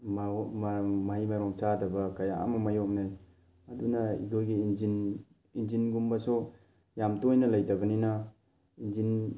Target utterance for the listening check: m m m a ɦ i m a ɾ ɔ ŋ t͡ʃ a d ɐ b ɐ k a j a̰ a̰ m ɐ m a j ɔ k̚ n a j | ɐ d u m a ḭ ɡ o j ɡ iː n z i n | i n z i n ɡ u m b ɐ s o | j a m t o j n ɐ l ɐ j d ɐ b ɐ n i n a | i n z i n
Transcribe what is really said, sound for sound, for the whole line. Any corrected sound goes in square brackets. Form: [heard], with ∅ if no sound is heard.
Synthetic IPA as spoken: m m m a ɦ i m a ɾ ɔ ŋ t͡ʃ a d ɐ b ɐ k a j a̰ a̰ m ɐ m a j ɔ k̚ n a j | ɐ d u [n] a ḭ ɡ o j ɡ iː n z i n | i n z i n ɡ u m b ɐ s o | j a m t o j n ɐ l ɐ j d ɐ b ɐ n i n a | i n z i n